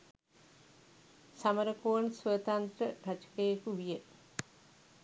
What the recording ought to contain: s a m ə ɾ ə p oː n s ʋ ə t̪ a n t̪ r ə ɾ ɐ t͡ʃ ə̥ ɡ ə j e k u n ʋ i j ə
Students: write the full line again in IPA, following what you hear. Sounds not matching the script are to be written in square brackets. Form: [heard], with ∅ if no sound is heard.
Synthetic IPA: s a m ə ɾ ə [k] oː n s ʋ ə t̪ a n t̪ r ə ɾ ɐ t͡ʃ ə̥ [k] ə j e k u [∅] ʋ i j ə